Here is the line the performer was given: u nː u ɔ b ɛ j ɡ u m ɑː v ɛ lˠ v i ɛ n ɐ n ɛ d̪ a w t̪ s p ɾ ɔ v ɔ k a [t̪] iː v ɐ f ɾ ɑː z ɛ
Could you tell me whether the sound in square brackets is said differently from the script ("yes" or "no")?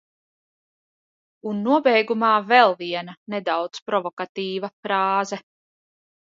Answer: no